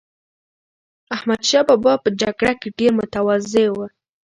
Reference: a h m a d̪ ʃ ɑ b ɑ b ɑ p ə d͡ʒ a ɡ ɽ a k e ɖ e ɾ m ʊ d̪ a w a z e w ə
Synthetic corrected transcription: a h m a d̪ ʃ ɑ b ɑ b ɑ p ə d͡ʒ a ɡ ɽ a k e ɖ e ɾ m ʊ t̪ a w a z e w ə